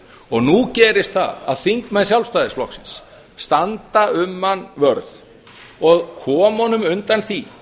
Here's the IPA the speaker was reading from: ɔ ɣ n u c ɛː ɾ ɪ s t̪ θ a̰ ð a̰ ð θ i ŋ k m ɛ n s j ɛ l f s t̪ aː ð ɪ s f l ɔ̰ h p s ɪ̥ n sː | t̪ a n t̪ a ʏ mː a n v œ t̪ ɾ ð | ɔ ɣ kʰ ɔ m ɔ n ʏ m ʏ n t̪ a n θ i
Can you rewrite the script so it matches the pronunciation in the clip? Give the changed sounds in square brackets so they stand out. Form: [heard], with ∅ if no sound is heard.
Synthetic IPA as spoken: ɔ ɣ n u c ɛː ɾ ɪ s t̪ θ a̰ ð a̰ ð θ i ŋ k m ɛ n s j [a] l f s t̪ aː ð ɪ s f l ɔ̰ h [k] s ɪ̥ n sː | t̪ a n t̪ a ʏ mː a n v œ [∅] ɾ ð | ɔ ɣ kʰ [ɔː] m ɔ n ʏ m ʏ n t̪ a n θ i

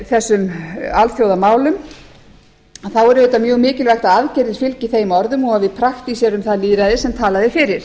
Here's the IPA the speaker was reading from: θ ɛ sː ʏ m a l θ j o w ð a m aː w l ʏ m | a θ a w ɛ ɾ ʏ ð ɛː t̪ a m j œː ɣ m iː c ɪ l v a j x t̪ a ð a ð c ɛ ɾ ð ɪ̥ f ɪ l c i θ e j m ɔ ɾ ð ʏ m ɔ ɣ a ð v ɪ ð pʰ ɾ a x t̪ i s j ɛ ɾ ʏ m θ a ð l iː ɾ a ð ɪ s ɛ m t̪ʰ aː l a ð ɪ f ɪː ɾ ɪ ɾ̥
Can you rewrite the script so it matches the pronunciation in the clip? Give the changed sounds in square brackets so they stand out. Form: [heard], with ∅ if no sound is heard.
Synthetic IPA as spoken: θ ɛ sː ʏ m a l θ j o w ð a m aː w l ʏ m | a θ a w ɛ ɾ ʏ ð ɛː t̪ a m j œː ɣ m [ɪː] c ɪ l v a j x t̪ a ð a ð c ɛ ɾ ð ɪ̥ f ɪ l c i θ e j m ɔ ɾ ð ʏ m ɔ ɣ a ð v ɪ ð pʰ ɾ a x t̪ i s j ɛ ɾ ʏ m θ a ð l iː ɾ a ð ɪ s ɛ m t̪ʰ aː l a ð ɪ f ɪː ɾ ɪ ɾ̥

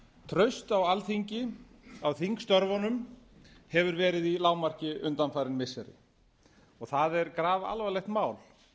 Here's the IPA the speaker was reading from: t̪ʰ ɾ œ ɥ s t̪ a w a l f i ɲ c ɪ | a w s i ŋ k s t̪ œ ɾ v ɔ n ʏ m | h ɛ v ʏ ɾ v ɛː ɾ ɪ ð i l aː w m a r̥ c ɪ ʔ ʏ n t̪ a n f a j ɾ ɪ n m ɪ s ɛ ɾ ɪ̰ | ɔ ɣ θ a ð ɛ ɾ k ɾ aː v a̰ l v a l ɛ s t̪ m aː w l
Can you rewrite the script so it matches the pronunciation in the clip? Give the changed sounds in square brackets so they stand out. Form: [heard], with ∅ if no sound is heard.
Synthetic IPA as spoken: t̪ʰ ɾ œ ɥ s t̪ a w a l [θ] i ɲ c ɪ | a w [θ] i ŋ k s t̪ œ ɾ v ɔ n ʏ m | h ɛ v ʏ ɾ v ɛː ɾ ɪ ð i l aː w m a r̥ c ɪ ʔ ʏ n t̪ a n f a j ɾ ɪ n m ɪ s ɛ ɾ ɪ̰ | ɔ ɣ θ a ð ɛ ɾ k ɾ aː v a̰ l v a l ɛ [x] t̪ m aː w l

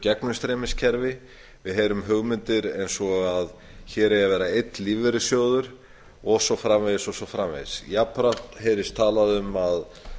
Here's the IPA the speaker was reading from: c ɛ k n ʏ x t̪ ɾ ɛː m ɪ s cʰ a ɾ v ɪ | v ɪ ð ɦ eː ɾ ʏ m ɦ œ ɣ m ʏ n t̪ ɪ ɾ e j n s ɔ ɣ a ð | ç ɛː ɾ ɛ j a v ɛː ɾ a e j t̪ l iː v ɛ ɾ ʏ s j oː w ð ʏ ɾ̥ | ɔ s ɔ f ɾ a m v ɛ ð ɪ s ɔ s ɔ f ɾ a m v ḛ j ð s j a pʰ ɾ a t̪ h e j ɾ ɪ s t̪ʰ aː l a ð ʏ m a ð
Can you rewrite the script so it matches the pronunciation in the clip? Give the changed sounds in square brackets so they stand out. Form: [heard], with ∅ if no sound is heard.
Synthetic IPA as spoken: c ɛ k n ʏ [s] t̪ ɾ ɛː m ɪ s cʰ [ɛ] ɾ v ɪ | v ɪ ð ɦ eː ɾ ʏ m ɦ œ ɣ m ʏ n t̪ ɪ ɾ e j n s ɔ ɣ a ð | ç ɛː ɾ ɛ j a v ɛː ɾ a e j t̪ l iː v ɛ ɾ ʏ s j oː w ð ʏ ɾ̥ | ɔ s ɔ f ɾ a m v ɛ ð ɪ s ɔ s ɔ f ɾ a m v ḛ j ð s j a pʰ ɾ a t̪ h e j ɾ ɪ s t̪ʰ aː l a ð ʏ m a ð

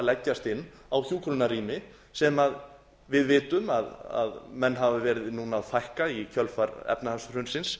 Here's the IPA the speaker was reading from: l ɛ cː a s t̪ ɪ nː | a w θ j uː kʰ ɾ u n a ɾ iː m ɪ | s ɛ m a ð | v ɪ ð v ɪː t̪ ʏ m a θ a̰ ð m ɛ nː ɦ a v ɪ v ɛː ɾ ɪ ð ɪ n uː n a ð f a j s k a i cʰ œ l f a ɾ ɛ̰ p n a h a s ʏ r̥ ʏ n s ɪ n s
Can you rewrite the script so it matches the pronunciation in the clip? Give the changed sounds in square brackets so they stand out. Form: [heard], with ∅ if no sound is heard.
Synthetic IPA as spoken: l ɛ cː a s t̪ ɪ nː | a w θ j uː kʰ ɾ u n a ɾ iː m ɪ | s ɛ m a ð | v ɪ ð v ɪː t̪ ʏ m a [ð] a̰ ð m ɛ nː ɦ a v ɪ v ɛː ɾ ɪ ð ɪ n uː n a ð f a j [h] k a i cʰ œ l f a ɾ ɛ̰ p n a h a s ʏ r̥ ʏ n s ɪ n s

